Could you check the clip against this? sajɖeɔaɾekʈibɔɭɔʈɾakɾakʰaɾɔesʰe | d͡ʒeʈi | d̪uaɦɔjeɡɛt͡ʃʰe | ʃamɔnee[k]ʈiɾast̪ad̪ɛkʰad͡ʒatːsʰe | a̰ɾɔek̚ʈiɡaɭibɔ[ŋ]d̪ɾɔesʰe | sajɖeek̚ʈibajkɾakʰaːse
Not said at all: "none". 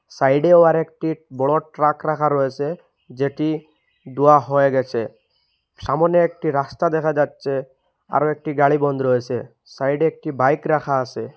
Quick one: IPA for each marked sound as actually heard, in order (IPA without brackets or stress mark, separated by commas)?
k, n